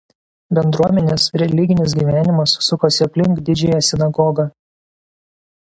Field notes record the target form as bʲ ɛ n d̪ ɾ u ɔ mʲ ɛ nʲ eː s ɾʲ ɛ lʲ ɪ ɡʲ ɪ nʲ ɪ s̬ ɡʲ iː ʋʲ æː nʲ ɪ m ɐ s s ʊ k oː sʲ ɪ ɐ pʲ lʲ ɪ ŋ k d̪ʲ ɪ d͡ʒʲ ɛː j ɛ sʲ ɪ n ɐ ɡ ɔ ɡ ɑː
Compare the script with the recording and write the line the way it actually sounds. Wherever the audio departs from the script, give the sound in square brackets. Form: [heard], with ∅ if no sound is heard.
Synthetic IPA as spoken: bʲ ɛ n d̪ ɾ u ɔ mʲ ɛ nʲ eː s ɾʲ ɛ lʲ ɪ ɡʲ ɪ nʲ ɪ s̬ ɡʲ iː ʋʲ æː nʲ ɪ m ɐ s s ʊ k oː sʲ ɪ ɐ pʲ lʲ ɪ ŋ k d̪ʲ ɪ d͡ʒʲ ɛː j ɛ sʲ ɪ n ɐ ɡ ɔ ɡ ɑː